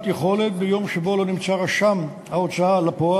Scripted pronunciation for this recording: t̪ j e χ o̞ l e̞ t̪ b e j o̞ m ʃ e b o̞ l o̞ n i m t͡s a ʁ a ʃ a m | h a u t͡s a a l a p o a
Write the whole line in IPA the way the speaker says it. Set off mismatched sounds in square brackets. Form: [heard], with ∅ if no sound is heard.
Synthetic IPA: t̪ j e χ o̞ l e̞ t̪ b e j o̞ m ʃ e b o̞ l o̞ n i m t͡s a ʁ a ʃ a m | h a [o] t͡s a a l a p o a